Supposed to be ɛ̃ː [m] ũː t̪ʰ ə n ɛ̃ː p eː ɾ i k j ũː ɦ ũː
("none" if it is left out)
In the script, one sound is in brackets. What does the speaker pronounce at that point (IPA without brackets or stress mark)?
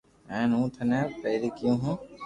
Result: n